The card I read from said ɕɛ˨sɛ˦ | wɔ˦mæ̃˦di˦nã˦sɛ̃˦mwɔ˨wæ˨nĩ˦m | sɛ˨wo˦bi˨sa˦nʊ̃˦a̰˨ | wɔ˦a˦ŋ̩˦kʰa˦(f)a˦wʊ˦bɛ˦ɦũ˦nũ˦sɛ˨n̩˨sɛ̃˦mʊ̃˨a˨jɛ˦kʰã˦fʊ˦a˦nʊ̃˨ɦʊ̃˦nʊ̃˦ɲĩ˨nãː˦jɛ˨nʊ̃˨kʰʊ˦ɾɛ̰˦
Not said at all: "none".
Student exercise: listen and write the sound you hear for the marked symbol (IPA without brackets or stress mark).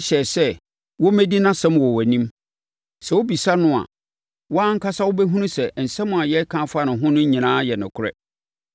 s